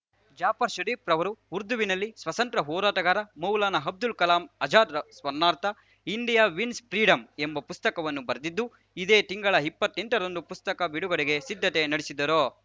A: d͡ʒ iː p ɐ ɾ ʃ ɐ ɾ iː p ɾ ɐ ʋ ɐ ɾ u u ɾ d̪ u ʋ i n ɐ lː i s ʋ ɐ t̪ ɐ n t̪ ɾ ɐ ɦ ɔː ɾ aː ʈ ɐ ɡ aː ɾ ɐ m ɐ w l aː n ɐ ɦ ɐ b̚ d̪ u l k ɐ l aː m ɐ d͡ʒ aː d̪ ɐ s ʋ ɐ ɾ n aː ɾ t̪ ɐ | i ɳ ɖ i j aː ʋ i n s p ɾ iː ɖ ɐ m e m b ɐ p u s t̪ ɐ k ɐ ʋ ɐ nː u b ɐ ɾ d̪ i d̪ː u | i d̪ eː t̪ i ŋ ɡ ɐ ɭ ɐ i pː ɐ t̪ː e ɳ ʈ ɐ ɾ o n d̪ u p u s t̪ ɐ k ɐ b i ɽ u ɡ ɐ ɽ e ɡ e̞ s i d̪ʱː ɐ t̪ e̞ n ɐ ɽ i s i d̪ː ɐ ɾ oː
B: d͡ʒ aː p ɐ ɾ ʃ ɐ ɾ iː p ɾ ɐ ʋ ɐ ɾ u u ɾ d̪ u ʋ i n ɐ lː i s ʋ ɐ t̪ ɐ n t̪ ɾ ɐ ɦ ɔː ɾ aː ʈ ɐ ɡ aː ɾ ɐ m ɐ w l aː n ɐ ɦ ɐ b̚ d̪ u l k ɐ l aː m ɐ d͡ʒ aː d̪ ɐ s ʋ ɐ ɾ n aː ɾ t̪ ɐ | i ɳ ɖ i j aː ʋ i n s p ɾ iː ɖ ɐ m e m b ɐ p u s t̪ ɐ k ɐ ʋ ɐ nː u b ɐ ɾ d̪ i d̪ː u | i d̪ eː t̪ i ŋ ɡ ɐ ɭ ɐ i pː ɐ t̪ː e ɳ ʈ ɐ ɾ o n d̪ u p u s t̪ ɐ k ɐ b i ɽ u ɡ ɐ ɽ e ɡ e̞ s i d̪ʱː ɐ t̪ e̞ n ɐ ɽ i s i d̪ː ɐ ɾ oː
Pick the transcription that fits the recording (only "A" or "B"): B